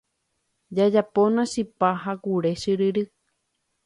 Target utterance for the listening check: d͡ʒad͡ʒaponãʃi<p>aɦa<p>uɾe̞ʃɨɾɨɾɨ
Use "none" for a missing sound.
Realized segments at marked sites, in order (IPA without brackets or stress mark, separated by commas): p, k